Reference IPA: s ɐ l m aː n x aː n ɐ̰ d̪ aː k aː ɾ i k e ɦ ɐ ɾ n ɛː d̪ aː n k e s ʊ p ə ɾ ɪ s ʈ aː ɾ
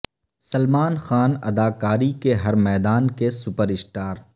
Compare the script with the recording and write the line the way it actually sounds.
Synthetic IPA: s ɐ l m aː n x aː n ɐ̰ d̪ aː k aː ɾ i k e ɦ ɐ ɾ m ɛː d̪ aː n k e s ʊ p ə ɾ ɪ s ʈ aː ɾ